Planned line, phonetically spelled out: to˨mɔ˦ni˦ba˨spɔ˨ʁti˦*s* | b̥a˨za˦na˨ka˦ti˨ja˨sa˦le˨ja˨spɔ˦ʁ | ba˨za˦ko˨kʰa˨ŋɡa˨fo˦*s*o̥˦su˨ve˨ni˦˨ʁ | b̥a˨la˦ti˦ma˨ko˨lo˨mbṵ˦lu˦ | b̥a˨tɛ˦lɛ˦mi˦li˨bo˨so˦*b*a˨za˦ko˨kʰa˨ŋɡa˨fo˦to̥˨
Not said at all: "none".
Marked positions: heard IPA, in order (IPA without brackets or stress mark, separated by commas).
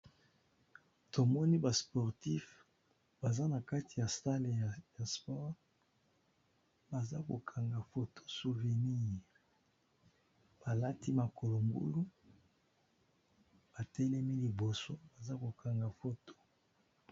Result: f, t, b